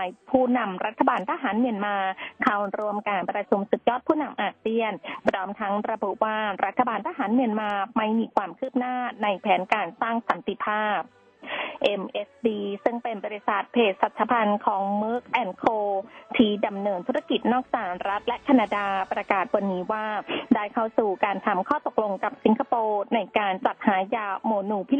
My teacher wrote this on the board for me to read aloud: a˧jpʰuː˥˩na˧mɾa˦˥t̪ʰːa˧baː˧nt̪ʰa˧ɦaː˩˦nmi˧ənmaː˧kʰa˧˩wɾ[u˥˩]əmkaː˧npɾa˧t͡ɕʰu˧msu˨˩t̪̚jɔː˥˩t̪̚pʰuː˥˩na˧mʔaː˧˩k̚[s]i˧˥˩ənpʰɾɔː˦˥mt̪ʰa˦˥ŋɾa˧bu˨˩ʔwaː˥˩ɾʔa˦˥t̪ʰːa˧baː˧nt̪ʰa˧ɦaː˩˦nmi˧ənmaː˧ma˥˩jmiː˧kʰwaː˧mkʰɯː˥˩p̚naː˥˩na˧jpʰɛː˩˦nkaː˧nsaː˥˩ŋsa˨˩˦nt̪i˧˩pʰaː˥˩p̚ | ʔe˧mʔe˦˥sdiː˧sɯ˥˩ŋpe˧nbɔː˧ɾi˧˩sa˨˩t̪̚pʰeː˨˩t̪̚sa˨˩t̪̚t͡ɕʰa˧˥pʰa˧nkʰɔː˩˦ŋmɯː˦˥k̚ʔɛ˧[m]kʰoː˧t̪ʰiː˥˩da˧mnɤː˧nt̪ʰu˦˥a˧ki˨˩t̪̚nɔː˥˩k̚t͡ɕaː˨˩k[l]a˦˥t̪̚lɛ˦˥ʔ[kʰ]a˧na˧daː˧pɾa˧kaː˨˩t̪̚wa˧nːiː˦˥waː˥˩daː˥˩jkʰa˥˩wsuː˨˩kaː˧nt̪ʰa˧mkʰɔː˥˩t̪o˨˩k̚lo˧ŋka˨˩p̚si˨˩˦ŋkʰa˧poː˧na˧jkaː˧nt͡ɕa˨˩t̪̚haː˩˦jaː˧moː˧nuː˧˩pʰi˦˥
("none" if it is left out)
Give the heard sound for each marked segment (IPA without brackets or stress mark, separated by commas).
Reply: u˧, s, n, ɾ, kʰ